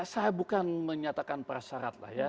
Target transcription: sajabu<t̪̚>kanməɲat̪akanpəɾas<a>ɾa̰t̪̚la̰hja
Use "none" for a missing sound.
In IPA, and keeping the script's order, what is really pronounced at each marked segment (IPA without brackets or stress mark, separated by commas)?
none, a